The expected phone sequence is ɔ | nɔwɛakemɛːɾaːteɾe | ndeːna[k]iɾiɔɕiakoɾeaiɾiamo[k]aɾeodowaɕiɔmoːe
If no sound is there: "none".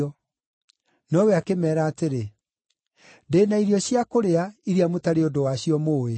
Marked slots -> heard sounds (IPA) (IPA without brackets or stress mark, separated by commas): none, t